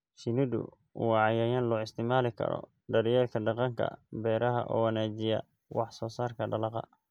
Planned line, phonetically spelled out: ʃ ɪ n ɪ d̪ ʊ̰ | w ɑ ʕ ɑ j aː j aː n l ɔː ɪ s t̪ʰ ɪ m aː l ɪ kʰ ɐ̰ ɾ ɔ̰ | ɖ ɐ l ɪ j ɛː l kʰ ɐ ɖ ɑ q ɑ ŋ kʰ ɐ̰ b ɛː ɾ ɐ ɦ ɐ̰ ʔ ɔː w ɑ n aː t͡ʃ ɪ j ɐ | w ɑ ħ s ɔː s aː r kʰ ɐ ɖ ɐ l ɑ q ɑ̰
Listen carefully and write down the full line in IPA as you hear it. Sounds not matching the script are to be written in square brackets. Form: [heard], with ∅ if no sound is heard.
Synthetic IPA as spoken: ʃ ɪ n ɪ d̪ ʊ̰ | w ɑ ʕ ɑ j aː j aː n l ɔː ɪ s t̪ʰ ɪ m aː l ɪ kʰ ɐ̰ ɾ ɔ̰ | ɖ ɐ [ɾ] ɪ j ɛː l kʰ ɐ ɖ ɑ q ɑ ŋ kʰ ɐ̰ b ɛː ɾ ɐ ɦ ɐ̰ ʔ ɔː w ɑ n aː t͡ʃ ɪ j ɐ | w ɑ ħ s ɔː s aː r kʰ ɐ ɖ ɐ l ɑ q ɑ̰